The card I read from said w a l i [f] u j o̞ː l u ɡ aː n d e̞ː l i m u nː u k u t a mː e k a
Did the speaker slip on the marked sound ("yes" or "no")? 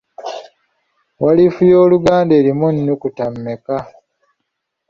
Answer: no